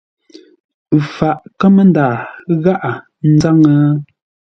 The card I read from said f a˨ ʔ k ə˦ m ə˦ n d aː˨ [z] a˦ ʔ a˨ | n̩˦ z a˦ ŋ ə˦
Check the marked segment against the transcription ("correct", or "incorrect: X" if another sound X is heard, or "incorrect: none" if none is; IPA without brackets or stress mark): incorrect: ɣ